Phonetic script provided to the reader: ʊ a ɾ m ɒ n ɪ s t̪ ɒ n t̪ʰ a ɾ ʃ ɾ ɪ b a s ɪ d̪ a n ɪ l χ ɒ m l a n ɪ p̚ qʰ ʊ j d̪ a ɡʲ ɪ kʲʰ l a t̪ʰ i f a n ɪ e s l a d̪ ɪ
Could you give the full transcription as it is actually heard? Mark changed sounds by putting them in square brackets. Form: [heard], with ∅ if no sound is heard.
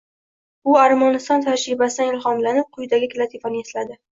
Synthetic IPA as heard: ʊ a ɾ m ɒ n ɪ s t̪ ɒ n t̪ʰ a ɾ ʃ ɾ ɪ b a s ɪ d̪ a n ɪ l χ ɒ m l a n ɪ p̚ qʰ ʊ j d̪ a ɡʲ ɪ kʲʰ l a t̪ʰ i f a n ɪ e s l a d̪ ɪ